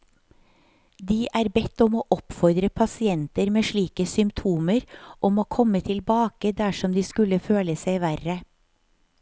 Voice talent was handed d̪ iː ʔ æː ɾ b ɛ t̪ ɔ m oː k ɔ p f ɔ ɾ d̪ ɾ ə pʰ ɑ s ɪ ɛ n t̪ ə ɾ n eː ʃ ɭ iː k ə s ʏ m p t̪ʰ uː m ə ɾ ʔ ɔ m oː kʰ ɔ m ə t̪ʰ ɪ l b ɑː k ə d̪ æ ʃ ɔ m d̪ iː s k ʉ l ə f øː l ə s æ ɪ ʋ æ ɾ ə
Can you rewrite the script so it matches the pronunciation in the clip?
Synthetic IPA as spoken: d̪ iː ʔ æː ɾ b ɛ t̪ ɔ m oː ʔ ɔ p f ɔ ɾ d̪ ɾ ə pʰ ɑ s ɪ ɛ n t̪ ə ɾ m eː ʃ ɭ iː k ə s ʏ m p t̪ʰ uː m ə ɾ ʔ ɔ m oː kʰ ɔ m ə t̪ʰ ɪ l b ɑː k ə d̪ æ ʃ ɔ m d̪ iː s k ʉ l ə f øː l ə s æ ɪ ʋ æ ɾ ə